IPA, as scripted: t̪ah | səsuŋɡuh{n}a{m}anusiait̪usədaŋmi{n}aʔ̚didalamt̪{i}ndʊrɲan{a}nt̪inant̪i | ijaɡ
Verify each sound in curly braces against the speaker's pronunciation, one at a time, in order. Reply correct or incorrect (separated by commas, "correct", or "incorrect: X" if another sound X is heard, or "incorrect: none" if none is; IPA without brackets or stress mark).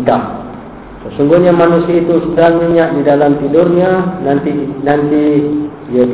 incorrect: ɲ, correct, incorrect: ɲ, correct, correct